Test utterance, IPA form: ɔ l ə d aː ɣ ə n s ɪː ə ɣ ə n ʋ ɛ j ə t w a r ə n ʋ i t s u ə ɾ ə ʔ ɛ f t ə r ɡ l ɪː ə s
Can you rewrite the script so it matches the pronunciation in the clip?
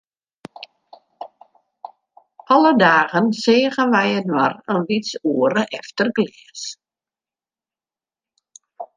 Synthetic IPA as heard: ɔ l ə d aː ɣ ə n s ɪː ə ɣ ə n ʋ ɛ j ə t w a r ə n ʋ i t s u ə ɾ ə ʔ ɛ f t ə r ɡ l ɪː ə s